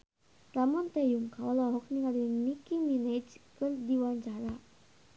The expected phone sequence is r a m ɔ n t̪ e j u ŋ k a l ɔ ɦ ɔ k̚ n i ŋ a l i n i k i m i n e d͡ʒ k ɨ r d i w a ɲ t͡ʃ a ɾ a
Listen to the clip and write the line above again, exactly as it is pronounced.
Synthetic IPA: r a m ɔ n t̪ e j u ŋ k a l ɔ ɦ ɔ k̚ n i ŋ a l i n i k i m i n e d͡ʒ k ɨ r d i w a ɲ t͡ʃ a ɾ a